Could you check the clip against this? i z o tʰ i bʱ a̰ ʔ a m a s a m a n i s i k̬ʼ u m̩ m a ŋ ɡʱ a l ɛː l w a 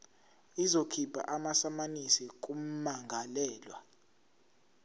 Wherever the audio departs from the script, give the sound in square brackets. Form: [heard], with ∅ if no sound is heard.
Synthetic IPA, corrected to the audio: i z o [kʰ] i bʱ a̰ ʔ a m a s a m a n i s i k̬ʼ u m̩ m a ŋ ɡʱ a l ɛː l w a